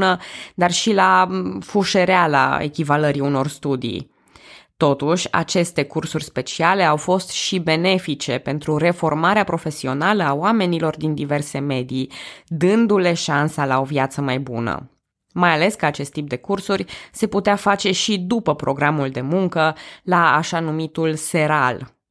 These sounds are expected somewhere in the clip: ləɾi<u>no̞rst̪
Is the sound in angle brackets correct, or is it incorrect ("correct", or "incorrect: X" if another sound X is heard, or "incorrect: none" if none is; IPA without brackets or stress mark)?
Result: correct